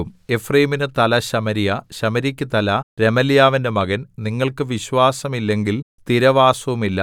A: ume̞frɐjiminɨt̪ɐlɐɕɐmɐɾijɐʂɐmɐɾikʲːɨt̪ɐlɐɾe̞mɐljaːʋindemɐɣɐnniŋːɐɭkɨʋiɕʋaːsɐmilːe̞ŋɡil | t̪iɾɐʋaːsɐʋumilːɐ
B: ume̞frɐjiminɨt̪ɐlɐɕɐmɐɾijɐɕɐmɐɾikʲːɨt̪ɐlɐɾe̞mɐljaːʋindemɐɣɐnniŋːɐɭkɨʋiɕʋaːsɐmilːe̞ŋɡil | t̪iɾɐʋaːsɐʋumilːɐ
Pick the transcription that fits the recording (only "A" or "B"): B